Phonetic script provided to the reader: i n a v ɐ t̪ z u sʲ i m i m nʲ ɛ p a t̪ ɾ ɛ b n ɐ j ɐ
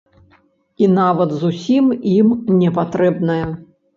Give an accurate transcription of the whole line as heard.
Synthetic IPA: i n a v ɐ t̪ z u sʲ i m i m nʲ ɛ p a t̪ ɾ ɛ b n ɐ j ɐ